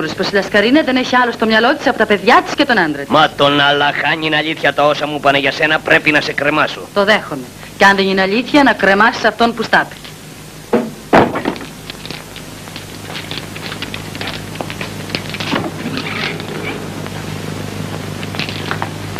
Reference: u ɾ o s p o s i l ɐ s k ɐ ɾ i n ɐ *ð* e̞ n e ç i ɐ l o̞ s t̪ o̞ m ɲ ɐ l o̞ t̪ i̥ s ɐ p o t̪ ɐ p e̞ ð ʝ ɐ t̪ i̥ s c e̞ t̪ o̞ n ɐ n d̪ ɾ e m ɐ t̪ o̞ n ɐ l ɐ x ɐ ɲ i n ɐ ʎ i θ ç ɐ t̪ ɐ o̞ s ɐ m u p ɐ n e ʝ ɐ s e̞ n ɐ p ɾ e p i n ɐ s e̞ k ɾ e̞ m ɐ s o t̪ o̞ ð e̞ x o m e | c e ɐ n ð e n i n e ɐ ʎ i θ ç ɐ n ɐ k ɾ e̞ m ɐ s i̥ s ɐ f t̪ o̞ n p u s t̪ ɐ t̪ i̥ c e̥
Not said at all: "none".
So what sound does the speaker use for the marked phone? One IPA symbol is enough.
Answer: ð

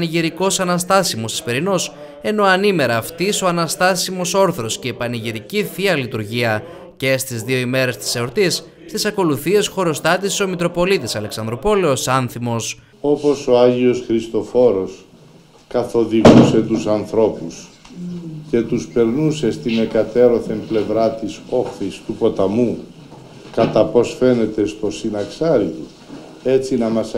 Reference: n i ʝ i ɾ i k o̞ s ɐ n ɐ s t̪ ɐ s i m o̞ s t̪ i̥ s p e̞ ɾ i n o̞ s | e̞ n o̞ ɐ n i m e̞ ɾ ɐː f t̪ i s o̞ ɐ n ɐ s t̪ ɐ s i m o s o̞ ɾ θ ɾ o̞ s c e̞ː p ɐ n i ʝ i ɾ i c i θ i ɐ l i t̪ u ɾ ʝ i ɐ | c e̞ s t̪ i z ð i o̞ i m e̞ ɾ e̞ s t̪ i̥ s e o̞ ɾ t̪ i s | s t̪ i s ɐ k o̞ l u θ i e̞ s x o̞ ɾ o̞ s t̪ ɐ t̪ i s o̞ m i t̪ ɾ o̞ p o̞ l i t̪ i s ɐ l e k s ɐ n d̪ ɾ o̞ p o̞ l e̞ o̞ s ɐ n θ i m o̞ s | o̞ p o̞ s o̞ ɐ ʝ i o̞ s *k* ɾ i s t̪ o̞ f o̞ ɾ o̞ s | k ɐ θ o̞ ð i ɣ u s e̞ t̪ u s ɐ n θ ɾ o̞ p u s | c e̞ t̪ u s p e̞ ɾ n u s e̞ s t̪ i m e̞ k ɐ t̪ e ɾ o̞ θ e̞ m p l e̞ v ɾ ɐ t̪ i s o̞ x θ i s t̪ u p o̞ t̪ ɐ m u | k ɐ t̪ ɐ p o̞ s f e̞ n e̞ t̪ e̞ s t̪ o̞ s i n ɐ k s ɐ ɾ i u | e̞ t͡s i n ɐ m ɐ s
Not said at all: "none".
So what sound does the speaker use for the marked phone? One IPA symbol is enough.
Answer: x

